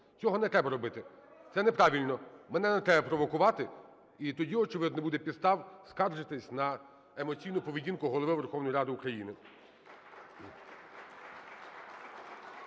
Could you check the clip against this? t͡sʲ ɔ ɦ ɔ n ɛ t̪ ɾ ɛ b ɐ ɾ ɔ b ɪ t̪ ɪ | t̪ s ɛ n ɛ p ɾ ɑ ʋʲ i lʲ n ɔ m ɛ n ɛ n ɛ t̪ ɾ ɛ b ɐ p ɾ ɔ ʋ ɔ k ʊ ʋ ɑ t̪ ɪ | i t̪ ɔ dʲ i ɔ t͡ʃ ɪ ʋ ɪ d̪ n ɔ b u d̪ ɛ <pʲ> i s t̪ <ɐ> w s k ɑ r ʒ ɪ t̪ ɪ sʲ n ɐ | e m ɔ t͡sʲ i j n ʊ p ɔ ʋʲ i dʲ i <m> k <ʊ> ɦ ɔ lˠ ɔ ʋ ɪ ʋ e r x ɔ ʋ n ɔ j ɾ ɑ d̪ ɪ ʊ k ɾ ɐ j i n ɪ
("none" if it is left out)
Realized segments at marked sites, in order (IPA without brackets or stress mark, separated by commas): pʲ, ɑ, n, ʊ